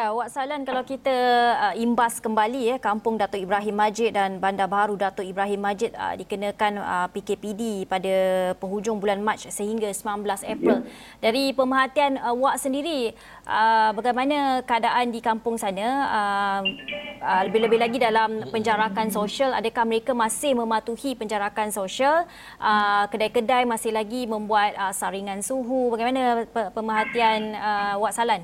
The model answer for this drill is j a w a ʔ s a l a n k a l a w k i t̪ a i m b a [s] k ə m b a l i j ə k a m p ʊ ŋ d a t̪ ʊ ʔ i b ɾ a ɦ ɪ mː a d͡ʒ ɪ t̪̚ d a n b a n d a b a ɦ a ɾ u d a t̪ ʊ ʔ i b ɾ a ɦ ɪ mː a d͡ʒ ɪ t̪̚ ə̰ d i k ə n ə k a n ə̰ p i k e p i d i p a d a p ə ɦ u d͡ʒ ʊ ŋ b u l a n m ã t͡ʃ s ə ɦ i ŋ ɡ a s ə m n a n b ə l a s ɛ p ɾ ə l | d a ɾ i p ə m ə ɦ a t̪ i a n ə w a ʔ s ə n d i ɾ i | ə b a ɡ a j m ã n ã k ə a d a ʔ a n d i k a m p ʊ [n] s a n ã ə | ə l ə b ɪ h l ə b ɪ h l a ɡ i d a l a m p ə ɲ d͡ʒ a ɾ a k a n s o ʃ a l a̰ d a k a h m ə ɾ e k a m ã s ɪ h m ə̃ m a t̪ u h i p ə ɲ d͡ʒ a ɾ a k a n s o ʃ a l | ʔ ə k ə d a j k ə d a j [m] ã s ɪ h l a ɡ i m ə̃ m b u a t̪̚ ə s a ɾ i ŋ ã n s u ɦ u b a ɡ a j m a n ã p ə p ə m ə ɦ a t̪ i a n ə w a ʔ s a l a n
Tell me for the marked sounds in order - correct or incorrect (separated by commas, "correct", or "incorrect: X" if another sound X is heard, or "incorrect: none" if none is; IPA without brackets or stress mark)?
correct, incorrect: ŋ, correct